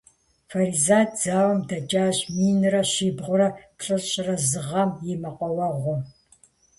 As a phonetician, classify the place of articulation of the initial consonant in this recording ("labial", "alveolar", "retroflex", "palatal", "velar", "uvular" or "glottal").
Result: labial